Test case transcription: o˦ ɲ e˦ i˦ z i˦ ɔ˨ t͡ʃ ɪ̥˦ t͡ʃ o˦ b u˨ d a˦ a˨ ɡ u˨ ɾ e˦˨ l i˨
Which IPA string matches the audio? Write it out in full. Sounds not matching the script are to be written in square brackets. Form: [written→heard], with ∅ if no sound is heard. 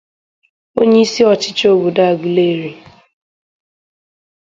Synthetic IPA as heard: o˦ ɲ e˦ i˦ [z→s] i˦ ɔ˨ t͡ʃ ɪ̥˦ t͡ʃ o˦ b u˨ d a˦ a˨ ɡ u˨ [ɾ→l] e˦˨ [l→ɾ] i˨

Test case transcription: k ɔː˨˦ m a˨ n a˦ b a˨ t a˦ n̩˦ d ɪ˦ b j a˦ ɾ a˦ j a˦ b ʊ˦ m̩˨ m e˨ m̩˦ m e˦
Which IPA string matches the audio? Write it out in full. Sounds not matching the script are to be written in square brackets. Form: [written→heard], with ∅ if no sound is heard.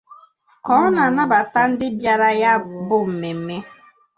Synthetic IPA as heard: k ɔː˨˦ [m→n] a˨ n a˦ b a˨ t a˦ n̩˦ d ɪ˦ b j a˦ ɾ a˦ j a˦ b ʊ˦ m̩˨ m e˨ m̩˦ m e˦

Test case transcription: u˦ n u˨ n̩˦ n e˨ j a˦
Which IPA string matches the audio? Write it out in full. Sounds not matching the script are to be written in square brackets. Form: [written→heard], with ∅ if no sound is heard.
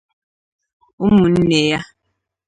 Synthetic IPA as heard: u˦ [n→m] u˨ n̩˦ n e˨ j a˦

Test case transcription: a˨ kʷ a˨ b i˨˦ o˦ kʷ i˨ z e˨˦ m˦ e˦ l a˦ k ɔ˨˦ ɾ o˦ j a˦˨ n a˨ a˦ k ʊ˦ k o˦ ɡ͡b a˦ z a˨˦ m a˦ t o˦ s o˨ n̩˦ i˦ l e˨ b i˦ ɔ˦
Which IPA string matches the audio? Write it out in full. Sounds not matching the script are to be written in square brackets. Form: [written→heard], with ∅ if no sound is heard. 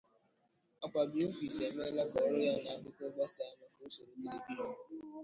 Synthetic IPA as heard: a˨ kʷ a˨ b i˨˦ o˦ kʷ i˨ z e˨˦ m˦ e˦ l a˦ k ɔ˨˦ ɾ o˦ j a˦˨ n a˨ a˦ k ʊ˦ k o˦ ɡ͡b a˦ [z→s] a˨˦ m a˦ [t→k] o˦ s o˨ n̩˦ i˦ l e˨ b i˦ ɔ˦

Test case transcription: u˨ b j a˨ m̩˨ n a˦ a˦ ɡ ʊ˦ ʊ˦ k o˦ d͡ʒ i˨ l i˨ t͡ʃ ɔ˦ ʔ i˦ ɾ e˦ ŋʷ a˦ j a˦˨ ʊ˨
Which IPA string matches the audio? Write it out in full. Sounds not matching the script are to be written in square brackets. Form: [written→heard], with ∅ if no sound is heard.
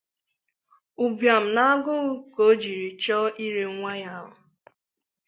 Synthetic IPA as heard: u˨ b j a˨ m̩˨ n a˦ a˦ ɡ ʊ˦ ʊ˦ k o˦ d͡ʒ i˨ [l→ɾ] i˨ t͡ʃ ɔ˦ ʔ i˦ ɾ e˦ ŋʷ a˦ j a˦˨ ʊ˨

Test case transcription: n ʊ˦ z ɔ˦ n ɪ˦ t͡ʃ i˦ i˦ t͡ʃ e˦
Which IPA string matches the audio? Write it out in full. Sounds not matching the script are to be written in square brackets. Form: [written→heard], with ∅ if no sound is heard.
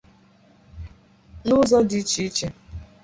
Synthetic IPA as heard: n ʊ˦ z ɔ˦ [n→d] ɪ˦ t͡ʃ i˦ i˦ t͡ʃ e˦

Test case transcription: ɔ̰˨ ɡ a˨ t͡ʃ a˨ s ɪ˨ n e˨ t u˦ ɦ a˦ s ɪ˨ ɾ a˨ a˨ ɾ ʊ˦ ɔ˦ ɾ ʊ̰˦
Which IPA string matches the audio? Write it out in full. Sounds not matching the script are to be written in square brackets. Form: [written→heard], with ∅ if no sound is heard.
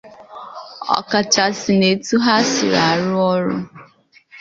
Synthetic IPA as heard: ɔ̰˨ [ɡ→k] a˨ t͡ʃ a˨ s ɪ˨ n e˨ t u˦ ɦ a˦ s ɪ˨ ɾ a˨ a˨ ɾ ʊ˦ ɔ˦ ɾ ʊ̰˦

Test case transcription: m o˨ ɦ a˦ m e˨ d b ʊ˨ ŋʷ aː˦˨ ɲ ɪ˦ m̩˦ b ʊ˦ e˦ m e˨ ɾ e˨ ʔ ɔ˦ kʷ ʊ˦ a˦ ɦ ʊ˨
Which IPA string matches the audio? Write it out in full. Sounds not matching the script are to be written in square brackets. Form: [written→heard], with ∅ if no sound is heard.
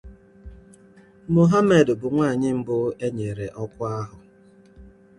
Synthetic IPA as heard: m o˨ ɦ a˦ m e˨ d b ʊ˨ ŋʷ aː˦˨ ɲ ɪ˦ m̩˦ b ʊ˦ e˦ [m→ɲ] e˨ ɾ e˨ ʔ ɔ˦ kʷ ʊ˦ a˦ ɦ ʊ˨

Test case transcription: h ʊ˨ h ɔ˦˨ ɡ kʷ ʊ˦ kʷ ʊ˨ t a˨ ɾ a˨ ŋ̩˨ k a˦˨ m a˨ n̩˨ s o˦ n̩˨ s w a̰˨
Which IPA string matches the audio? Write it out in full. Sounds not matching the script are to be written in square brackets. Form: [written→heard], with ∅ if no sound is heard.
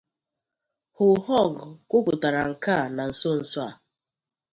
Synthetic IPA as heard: h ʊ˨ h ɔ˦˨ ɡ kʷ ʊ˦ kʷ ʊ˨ t a˨ ɾ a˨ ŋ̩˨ k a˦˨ [m→n] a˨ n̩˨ s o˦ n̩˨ s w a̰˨

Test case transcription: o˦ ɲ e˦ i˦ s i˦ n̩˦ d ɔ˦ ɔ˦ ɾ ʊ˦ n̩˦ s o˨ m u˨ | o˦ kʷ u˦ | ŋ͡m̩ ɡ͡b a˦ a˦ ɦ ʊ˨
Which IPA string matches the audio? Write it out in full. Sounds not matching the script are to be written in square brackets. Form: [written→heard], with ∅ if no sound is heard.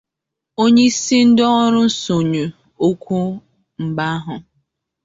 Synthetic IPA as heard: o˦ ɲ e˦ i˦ s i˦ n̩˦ d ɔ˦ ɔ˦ ɾ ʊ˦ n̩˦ s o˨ [m→ɲ] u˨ | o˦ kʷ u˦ | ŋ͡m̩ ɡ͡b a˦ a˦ ɦ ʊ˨

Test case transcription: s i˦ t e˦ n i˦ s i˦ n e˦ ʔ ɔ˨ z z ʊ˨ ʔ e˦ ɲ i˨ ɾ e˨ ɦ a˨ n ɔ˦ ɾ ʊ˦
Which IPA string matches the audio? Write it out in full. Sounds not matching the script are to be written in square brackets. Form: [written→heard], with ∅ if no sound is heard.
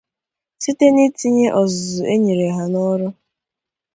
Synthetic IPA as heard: s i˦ t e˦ n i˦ [s→t] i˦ [n→ɲ] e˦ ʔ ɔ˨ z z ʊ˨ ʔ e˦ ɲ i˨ ɾ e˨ ɦ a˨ n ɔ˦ ɾ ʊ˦

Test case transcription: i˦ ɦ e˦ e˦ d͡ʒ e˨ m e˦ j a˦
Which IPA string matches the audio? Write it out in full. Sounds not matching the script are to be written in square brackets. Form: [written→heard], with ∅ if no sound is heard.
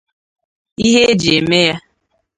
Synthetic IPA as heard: i˦ ɦ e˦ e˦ d͡ʒ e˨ m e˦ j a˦

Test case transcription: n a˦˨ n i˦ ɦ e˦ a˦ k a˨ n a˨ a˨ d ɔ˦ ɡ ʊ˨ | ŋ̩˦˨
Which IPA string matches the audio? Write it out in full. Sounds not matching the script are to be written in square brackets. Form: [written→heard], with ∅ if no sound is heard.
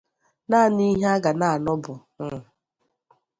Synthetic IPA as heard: n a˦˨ n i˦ ɦ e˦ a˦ [k→ɡ] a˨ n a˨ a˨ [d→n] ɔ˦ [ɡ→b] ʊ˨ | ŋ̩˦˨

